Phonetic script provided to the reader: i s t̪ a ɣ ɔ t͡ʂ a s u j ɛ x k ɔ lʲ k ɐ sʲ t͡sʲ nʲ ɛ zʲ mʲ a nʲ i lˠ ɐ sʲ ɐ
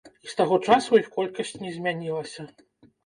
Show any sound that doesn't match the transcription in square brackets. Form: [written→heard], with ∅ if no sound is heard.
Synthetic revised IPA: i s t̪ a ɣ ɔ t͡ʂ a s u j [ɛ→i] x k ɔ lʲ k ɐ sʲ t͡sʲ nʲ ɛ zʲ mʲ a nʲ i lˠ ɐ sʲ ɐ